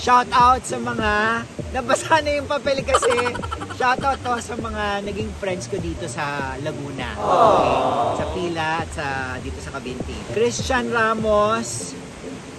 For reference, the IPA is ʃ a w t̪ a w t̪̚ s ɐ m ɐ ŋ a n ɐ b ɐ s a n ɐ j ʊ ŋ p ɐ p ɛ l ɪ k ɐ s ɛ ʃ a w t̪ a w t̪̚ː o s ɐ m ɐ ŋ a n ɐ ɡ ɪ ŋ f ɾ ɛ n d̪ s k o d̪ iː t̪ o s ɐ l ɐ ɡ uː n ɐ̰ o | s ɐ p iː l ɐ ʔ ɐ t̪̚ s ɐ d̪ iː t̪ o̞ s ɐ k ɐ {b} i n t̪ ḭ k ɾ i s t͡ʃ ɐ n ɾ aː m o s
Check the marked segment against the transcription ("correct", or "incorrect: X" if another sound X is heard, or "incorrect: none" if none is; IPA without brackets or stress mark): correct